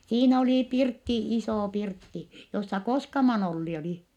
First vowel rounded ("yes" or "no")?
no